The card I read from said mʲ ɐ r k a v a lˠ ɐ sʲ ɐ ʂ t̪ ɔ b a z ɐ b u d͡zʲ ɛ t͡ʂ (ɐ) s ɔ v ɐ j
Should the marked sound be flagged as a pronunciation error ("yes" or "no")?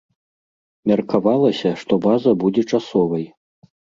yes